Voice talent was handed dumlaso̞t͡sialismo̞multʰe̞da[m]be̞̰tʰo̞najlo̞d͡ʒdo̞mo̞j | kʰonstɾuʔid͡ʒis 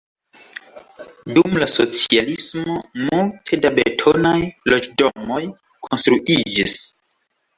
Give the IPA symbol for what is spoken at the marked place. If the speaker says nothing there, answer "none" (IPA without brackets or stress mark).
none